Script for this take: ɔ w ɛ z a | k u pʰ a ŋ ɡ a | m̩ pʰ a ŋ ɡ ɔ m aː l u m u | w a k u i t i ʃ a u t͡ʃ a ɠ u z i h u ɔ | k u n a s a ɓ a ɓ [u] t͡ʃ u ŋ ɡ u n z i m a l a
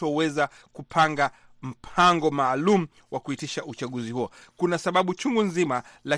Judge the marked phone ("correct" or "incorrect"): correct